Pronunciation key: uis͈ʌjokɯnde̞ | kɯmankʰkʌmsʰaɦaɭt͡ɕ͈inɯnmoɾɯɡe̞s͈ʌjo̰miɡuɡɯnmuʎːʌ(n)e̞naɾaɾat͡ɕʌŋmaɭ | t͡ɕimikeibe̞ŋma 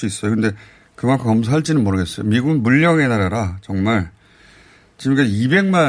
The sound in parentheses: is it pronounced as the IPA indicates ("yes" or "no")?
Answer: no